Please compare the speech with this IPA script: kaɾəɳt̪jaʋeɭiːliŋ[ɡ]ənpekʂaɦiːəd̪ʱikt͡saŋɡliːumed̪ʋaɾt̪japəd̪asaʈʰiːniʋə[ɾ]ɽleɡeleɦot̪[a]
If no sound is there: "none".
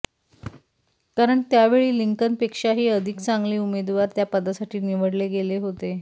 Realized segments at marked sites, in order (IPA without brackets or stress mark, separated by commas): k, none, e